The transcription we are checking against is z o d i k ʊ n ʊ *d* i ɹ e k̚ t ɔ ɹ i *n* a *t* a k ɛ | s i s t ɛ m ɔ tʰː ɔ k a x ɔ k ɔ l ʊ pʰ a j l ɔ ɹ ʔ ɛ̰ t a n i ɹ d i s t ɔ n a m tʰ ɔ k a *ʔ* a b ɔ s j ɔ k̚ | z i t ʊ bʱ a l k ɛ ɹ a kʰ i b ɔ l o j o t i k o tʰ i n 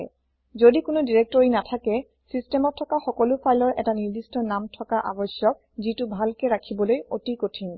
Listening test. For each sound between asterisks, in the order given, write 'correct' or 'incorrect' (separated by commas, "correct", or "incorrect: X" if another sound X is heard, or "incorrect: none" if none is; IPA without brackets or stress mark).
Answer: correct, correct, incorrect: tʰ, correct